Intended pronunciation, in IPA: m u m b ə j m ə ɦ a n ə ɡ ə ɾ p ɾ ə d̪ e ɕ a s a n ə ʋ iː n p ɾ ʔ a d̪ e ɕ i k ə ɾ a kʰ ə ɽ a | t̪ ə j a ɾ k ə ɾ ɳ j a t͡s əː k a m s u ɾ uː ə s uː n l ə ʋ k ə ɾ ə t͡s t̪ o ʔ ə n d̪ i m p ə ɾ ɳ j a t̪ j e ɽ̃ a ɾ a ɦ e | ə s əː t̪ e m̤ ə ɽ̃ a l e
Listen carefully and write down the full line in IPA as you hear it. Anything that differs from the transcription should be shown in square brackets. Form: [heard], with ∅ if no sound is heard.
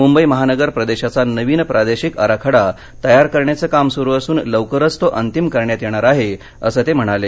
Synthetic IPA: m u m b ə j m ə ɦ a n ə ɡ ə ɾ p ɾ ə d̪ e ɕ a [t͡s] a n ə ʋ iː n p ɾ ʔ a d̪ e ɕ i k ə ɾ a kʰ ə ɽ a | t̪ ə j a ɾ k ə ɾ ɳ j a t͡s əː k a m s u ɾ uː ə s uː n l ə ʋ k ə ɾ ə t͡s t̪ o ʔ ə n [t̪] i m [k] ə ɾ ɳ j a t̪ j e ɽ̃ a ɾ a ɦ e | ə s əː t̪ e m̤ ə ɽ̃ a l e